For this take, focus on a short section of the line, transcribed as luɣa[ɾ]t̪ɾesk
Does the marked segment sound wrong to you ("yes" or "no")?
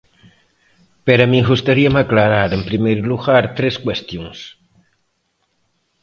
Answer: no